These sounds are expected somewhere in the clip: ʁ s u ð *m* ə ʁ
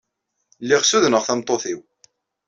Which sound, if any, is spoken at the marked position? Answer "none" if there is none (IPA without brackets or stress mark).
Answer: n